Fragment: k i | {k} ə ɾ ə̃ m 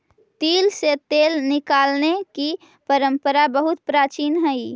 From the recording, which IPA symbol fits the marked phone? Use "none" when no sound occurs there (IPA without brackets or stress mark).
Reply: p